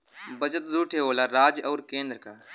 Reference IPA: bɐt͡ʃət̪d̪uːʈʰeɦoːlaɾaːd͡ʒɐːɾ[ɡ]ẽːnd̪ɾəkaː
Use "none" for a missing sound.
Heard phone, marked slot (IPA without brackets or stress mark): k